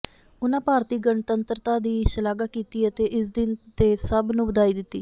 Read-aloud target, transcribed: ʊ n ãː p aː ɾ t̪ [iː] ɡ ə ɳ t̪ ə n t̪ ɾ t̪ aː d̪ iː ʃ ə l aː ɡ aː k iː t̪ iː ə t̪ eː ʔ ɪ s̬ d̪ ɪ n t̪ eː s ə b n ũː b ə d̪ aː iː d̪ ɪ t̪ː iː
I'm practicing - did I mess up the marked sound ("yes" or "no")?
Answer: no